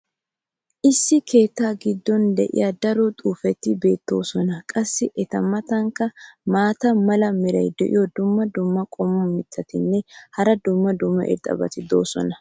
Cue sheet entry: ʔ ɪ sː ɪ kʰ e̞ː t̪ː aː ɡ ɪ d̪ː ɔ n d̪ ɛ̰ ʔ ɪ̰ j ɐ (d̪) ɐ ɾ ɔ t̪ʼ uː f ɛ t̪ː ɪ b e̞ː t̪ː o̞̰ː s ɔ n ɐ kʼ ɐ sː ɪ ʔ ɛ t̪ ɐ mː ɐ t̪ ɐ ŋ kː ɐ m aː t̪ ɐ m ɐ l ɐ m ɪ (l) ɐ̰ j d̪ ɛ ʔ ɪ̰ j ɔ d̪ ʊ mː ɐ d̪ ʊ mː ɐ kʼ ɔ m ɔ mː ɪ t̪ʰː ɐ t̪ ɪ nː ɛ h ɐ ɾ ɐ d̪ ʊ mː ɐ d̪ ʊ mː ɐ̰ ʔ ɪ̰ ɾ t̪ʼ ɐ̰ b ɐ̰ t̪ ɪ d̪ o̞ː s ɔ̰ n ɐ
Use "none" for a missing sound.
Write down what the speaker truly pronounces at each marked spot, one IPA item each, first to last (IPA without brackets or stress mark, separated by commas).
d̪, ɾ